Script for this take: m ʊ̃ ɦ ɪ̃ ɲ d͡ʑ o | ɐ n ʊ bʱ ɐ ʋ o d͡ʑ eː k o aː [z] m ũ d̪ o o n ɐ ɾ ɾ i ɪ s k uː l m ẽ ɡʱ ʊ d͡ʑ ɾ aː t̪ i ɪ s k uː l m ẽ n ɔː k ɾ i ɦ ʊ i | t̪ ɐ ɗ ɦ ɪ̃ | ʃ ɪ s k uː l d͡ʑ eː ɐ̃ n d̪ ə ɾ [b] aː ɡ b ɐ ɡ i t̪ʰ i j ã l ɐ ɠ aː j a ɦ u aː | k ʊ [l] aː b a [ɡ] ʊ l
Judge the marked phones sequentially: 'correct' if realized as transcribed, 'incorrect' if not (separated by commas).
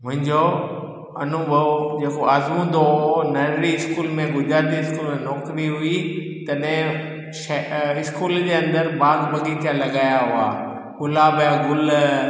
correct, correct, correct, correct